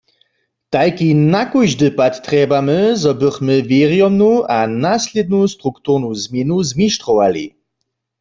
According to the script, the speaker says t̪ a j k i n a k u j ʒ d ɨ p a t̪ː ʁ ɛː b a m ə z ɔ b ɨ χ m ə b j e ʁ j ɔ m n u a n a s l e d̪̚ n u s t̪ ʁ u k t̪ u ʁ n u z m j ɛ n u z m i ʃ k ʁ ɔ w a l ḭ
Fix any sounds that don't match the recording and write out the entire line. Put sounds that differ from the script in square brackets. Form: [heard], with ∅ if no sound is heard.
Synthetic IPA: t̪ a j k i n a k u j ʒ d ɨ p a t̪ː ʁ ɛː b a m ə z ɔ b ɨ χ m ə [v] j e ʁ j ɔ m n u a n a s l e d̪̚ n u s t̪ ʁ u k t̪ u ʁ n u z m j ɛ n u z m i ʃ [t] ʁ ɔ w a l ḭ